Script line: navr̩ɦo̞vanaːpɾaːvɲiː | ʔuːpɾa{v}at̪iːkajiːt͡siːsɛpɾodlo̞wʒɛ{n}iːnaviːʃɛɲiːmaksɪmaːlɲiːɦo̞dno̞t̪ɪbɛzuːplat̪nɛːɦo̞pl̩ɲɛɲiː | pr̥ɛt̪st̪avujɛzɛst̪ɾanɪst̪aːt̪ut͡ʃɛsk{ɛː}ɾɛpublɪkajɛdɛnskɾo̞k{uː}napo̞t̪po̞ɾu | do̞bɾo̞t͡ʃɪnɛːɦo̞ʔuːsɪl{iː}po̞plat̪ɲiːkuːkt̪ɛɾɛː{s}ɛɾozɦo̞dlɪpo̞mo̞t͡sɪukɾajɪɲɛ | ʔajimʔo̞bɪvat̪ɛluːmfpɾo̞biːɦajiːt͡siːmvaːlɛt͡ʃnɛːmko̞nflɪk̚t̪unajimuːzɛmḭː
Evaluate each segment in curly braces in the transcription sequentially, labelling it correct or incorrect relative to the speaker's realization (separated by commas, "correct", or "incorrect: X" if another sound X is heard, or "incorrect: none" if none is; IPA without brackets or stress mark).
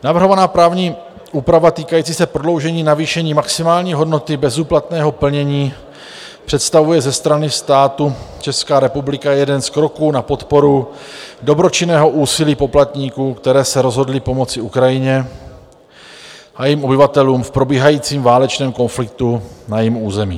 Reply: correct, incorrect: ɲ, incorrect: aː, correct, correct, correct